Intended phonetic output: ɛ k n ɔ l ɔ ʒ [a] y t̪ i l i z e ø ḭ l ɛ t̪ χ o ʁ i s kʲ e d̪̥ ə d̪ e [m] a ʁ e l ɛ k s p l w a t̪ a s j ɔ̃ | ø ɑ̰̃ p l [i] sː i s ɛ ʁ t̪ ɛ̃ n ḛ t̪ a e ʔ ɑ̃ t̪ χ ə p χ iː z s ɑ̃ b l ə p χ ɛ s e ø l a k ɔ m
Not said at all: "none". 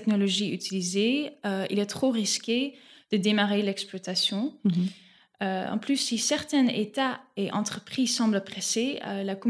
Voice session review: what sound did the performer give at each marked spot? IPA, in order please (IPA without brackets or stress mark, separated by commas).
i, m, y